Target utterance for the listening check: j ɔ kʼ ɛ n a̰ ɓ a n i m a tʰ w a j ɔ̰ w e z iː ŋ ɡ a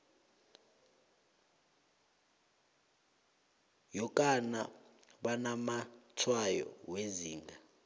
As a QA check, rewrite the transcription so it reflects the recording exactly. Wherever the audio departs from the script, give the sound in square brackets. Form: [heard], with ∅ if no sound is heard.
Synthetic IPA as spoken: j ɔ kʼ [a] n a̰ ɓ a n [a] m a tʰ w a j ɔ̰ w e z iː ŋ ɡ a